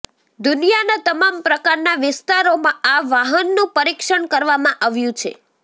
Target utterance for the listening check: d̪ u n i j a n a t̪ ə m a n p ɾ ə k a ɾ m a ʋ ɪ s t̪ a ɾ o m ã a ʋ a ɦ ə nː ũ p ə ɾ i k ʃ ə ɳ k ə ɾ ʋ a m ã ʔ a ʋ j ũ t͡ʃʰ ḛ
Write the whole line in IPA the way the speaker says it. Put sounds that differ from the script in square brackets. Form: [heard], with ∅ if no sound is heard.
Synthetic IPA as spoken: d̪ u n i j a n a t̪ ə m a [m] p ɾ ə k a ɾ [n] a ʋ ɪ s t̪ a ɾ o m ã a ʋ a ɦ ə nː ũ p ə ɾ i k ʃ ə ɳ k ə ɾ ʋ a m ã ʔ a ʋ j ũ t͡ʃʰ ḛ